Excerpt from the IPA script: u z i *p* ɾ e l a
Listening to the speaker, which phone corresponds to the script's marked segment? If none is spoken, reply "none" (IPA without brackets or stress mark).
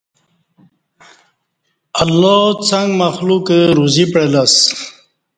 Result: p